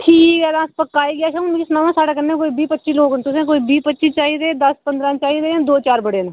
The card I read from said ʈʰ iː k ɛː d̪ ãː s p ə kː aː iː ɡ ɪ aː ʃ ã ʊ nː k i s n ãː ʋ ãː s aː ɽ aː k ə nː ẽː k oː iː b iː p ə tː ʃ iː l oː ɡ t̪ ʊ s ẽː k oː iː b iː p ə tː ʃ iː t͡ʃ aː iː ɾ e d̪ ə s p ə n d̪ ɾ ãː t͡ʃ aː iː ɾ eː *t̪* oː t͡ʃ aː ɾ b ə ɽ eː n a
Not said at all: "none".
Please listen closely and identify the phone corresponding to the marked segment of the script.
d̪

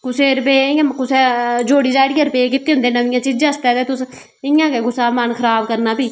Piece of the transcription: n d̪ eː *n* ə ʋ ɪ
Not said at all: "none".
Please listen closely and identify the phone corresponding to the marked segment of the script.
n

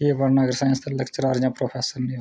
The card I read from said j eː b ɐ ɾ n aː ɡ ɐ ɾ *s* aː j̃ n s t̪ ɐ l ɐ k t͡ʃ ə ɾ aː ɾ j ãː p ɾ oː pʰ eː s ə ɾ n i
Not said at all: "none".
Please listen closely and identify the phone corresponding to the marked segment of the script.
s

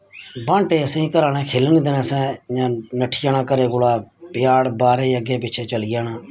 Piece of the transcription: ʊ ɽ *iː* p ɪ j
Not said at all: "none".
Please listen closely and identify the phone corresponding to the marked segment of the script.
aː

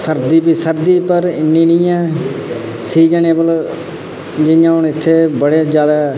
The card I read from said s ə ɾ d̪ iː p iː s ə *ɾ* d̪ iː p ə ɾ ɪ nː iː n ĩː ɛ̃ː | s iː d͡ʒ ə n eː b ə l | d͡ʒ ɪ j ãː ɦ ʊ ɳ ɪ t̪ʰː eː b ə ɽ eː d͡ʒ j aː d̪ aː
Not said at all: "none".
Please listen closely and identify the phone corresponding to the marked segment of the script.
ɾ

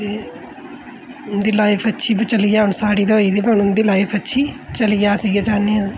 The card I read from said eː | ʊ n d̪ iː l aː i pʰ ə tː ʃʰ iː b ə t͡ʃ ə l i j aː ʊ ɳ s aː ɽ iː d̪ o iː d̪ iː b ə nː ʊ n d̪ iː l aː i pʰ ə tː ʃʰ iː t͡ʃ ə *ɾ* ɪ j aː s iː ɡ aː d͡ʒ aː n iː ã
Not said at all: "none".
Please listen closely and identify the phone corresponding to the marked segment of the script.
l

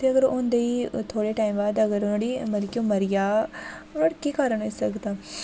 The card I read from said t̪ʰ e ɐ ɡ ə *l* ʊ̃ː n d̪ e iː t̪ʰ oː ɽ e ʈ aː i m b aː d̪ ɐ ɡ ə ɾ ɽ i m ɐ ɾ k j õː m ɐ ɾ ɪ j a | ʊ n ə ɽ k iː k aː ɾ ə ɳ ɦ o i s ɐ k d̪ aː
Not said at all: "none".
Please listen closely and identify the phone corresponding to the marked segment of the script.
ɾ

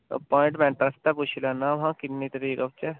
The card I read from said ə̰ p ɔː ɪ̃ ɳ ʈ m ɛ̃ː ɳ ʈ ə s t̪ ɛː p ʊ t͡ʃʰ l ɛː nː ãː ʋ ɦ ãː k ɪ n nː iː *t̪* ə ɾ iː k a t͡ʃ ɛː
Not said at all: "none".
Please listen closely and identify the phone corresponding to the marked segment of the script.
t̪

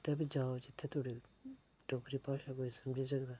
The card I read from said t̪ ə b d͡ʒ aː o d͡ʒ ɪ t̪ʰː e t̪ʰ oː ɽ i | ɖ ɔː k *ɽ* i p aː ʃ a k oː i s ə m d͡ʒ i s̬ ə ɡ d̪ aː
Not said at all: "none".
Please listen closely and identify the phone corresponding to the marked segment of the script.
ɾ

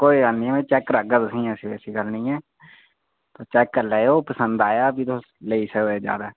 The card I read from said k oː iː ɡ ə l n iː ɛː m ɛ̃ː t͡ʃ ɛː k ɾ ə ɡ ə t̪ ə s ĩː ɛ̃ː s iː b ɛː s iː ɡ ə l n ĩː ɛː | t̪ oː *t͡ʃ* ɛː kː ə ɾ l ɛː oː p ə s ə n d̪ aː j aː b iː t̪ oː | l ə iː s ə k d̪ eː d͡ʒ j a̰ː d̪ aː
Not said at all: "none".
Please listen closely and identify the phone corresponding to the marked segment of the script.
t͡ʃ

